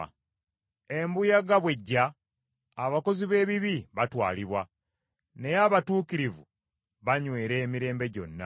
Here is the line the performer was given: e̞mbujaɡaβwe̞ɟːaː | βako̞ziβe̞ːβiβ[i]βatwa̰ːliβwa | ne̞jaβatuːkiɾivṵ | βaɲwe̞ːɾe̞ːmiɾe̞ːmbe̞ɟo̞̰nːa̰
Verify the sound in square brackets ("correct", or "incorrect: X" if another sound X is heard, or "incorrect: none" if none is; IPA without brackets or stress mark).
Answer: correct